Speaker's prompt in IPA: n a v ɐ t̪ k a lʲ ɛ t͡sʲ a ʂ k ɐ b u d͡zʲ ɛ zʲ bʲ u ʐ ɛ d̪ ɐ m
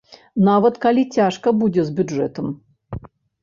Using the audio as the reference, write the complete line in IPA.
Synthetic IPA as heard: n a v ɐ t̪ k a lʲ i t͡sʲ a ʂ k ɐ b u d͡zʲ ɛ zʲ bʲ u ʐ ɛ t̪ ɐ m